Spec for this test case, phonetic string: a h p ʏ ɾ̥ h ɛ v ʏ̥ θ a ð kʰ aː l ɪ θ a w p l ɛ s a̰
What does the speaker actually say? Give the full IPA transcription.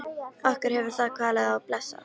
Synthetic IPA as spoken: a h k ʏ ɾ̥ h ɛ v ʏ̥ θ a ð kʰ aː l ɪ ð a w p l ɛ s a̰